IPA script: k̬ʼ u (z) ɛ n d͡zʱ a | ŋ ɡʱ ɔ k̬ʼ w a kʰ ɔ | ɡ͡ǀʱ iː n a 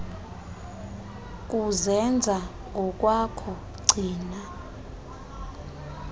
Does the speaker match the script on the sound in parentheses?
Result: yes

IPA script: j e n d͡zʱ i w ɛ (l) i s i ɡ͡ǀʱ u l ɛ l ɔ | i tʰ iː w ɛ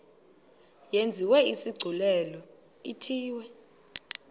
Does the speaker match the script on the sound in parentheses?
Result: no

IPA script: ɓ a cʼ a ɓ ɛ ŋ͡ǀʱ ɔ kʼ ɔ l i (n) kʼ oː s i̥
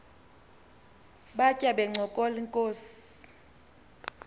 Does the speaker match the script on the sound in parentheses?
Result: no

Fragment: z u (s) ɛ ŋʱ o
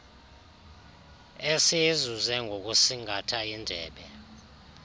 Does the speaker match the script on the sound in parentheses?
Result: no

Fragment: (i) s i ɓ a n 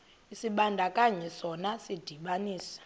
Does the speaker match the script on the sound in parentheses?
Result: yes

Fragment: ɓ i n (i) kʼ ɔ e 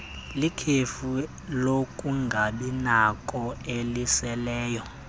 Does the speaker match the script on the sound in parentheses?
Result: no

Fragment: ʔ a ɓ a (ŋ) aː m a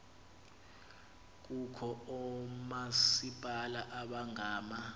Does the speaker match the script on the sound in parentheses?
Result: yes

